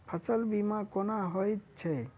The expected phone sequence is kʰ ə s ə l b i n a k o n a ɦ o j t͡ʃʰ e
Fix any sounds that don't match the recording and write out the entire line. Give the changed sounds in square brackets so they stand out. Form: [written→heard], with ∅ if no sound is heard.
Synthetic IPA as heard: [kʰ→pʰ] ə s ə l b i [n→m] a k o n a ɦ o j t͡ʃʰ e